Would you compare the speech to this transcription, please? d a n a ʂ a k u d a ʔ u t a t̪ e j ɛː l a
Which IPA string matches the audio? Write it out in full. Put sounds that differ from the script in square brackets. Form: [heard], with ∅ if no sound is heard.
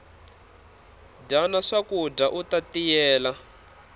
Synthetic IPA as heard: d a n a ʂ a k u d a ʔ u t a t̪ [i] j ɛː l a